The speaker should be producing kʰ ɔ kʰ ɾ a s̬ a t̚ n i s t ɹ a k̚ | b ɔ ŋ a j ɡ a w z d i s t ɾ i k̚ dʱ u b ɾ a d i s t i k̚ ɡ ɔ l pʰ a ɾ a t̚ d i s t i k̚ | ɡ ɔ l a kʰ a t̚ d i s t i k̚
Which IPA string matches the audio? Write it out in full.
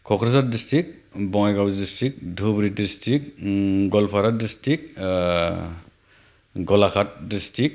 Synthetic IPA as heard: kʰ ɔ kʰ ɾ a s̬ a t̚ d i s t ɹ i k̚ | b ɔ ŋ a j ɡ a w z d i s t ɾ i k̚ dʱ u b ɾ i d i s t i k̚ ɡ ɔ l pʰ a ɾ a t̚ d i s t i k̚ | ɡ ɔ l a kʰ a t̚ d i s t i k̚